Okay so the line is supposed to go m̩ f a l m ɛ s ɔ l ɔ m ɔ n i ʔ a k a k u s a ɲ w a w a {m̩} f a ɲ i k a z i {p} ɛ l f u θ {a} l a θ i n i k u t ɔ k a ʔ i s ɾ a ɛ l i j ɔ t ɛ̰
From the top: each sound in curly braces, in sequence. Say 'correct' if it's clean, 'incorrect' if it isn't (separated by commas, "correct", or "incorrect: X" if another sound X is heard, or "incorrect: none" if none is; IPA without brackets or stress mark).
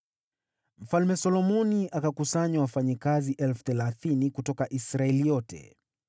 incorrect: none, incorrect: ʔ, incorrect: ɛ